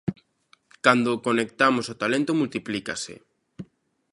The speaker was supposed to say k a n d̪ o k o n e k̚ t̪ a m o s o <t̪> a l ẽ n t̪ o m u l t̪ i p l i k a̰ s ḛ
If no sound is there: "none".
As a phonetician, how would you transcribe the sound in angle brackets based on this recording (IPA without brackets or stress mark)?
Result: t̪